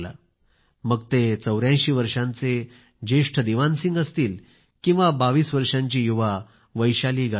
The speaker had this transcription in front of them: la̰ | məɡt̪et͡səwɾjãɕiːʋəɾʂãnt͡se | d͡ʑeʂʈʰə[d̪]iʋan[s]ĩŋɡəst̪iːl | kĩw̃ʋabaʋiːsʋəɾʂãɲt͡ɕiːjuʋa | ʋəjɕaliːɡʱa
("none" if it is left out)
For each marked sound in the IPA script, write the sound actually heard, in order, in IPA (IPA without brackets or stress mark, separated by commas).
d̪, s